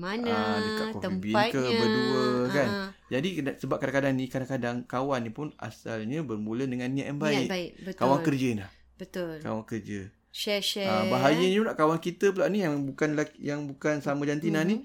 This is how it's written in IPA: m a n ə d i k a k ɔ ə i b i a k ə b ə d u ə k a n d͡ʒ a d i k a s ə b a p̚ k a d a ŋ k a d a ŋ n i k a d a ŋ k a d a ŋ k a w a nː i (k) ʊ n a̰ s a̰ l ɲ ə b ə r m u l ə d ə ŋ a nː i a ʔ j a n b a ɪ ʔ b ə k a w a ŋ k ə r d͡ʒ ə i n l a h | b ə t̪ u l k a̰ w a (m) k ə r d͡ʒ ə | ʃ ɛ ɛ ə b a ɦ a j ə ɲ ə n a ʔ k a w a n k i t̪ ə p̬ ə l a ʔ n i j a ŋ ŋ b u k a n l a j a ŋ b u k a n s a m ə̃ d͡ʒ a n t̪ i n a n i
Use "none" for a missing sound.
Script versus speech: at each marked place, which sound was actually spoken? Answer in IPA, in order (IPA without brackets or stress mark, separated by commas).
p, ŋ